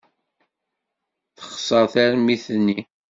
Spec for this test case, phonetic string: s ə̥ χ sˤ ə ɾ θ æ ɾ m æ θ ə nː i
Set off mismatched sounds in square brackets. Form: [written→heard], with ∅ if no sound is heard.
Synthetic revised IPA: [s→θ] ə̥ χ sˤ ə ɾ θ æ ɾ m [æ→i] θ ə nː i